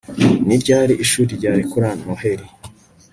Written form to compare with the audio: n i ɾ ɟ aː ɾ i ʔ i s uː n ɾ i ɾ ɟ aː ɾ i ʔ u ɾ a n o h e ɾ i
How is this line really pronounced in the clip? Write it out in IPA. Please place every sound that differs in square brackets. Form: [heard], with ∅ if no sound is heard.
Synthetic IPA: n i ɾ ɟ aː ɾ i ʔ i [ʃ] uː [∅] ɾ i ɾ ɟ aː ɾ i [k] u ɾ a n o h e ɾ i